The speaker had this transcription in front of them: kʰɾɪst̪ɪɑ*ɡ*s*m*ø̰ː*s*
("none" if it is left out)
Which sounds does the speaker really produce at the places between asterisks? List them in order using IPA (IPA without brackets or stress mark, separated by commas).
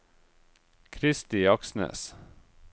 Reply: k, n, s